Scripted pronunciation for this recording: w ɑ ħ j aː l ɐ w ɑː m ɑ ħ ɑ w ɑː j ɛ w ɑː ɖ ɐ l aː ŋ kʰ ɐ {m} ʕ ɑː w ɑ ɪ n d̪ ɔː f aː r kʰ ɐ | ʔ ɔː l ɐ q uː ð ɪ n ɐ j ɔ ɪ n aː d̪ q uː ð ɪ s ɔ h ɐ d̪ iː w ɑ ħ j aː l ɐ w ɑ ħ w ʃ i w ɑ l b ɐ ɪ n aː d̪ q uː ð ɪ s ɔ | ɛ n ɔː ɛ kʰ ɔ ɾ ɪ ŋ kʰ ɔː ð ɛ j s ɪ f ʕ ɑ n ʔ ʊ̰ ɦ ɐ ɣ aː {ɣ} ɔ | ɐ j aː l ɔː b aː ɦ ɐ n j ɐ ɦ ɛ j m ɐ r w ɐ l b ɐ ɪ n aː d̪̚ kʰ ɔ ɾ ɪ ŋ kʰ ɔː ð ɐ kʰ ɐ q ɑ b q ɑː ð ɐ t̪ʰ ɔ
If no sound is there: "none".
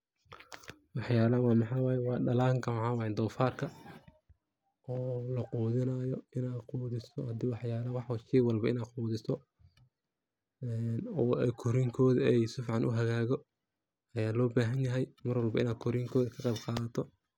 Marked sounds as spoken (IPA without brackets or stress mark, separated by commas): m, ɣ